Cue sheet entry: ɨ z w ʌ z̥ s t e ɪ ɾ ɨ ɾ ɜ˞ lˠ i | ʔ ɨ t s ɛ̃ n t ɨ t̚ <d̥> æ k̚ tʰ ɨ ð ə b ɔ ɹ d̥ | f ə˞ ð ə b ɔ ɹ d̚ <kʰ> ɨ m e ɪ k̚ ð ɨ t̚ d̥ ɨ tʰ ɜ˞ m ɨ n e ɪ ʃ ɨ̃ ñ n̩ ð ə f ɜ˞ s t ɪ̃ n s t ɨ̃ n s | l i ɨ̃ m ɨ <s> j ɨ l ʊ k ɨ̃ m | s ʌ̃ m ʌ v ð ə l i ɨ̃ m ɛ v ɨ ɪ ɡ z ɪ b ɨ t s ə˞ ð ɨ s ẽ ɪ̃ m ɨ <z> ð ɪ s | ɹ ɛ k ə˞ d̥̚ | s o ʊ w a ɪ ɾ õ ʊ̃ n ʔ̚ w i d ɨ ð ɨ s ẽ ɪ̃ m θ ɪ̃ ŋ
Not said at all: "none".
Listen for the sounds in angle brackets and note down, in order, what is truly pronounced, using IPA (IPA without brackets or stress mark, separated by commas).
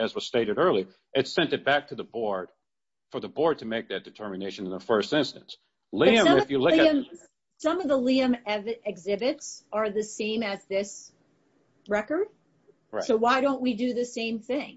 b̥, tʰ, f, z